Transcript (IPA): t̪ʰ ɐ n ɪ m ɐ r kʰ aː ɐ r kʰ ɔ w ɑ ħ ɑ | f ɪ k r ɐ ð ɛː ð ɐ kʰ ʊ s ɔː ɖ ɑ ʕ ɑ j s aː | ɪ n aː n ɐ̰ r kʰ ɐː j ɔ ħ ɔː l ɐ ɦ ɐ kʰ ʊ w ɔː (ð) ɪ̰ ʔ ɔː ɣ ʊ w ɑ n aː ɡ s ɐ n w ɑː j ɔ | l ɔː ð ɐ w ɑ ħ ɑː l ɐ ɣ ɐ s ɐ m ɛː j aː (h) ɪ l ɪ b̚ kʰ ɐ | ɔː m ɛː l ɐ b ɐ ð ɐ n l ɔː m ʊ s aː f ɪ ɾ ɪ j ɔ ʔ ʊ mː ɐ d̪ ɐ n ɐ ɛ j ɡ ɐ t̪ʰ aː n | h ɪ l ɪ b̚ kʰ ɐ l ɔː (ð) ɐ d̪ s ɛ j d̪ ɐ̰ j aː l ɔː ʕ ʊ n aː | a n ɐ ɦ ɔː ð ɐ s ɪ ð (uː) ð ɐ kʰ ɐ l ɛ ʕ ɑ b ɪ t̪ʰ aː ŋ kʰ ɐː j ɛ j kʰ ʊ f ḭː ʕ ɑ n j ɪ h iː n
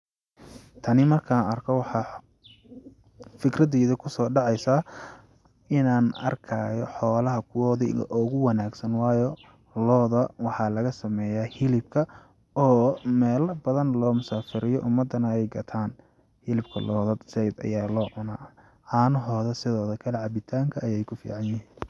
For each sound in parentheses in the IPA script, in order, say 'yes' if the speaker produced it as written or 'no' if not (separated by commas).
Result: yes, yes, yes, no